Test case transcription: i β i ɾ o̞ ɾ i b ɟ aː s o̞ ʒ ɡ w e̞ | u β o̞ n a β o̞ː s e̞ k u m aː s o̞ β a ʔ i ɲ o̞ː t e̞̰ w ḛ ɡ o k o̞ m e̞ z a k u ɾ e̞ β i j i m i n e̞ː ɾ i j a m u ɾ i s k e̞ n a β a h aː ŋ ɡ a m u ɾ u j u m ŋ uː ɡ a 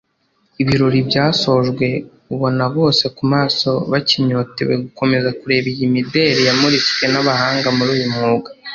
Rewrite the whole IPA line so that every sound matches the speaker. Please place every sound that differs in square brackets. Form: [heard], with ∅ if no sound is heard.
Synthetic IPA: i β i ɾ o̞ ɾ i b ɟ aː s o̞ ʒ ɡ w e̞ | u β o̞ n a β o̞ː s e̞ k u m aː s o̞ β a [c] i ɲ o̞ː t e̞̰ w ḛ ɡ [u] k o̞ m e̞ z a k u ɾ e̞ β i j i m i [d] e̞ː ɾ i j a m u ɾ i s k e̞ n a β a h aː ŋ ɡ a m u ɾ [uː] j u m ŋ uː ɡ a